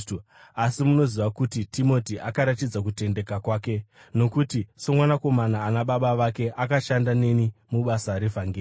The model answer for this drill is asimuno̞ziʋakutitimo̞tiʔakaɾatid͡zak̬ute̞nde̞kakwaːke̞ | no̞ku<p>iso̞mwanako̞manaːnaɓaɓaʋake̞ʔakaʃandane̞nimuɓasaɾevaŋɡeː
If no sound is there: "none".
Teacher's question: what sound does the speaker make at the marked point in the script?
t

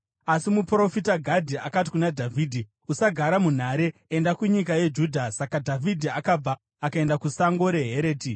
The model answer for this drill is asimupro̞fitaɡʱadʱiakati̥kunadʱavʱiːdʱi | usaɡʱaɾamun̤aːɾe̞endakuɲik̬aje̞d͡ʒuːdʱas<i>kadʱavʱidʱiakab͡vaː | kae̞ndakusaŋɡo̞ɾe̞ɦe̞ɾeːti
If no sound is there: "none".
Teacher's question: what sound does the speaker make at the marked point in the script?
a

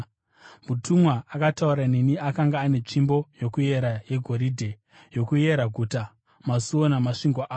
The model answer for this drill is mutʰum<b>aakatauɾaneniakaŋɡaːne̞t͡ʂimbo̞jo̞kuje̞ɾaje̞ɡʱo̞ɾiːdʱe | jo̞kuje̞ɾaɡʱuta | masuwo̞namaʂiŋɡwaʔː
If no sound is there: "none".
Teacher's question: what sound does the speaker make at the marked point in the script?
w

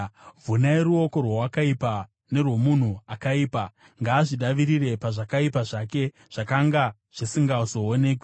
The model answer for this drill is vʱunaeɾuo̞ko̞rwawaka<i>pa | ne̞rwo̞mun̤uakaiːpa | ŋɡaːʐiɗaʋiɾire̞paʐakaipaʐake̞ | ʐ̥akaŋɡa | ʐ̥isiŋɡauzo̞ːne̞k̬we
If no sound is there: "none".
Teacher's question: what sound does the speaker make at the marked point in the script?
i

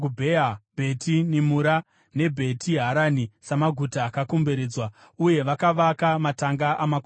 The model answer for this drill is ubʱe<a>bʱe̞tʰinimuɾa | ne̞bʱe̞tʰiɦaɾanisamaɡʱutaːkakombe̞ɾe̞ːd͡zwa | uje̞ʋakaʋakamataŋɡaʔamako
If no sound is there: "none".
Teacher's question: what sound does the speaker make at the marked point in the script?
a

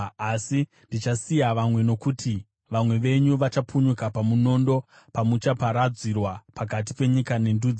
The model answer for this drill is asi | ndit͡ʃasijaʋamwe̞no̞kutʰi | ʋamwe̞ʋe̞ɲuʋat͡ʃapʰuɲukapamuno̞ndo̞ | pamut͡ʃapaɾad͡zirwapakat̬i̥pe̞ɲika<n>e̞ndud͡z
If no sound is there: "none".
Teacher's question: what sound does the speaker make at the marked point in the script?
n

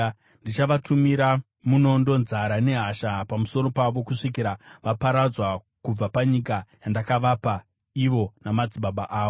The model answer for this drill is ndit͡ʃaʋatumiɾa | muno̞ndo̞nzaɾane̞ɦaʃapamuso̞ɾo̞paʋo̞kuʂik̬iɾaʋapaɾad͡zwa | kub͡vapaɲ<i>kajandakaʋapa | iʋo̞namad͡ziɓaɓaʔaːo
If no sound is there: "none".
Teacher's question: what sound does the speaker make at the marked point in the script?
i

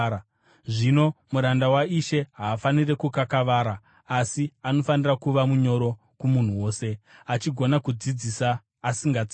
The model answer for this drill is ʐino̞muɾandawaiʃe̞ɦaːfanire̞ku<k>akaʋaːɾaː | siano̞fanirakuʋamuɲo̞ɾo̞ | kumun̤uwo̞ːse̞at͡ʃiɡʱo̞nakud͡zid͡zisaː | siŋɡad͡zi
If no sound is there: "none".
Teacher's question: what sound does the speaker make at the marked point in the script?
k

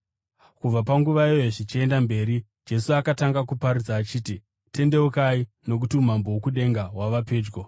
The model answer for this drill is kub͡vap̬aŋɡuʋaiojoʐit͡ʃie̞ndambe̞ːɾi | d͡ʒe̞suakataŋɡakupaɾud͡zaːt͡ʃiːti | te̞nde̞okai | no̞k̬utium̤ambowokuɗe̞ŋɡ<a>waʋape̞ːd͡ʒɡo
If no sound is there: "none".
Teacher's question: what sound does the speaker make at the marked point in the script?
a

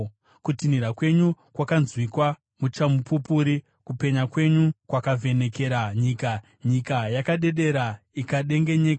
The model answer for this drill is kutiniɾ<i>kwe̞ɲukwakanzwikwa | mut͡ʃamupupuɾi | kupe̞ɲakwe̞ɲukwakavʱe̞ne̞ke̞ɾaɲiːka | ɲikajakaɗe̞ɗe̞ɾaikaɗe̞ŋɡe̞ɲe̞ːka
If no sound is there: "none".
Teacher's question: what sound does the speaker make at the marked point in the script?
a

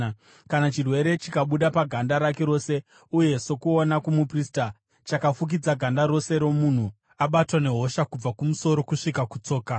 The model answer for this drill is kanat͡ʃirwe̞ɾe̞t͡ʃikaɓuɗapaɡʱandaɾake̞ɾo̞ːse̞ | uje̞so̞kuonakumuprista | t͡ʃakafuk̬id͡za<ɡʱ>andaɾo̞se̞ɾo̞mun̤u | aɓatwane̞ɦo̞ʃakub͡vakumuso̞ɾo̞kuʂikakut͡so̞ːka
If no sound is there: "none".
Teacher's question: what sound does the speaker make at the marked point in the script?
ɡʱ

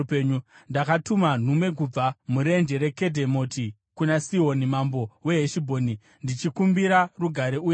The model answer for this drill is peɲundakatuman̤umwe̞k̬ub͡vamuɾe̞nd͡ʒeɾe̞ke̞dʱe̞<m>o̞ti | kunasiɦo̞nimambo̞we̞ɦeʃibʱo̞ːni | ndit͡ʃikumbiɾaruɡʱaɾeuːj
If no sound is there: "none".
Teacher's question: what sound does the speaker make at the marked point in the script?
m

